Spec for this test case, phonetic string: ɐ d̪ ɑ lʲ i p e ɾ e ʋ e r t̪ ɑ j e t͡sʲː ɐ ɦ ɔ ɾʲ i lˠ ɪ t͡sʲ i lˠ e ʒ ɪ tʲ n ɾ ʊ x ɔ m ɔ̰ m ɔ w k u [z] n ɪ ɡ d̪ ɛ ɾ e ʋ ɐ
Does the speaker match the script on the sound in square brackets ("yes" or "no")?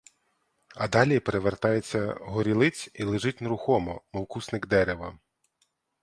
no